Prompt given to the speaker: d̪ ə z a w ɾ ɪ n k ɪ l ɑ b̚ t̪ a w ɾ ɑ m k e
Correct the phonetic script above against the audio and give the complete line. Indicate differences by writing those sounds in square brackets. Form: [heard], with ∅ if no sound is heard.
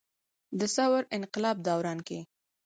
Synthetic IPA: d̪ ə [s] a w ɾ ɪ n [q] ɪ l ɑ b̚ [d̪] a w ɾ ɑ [n] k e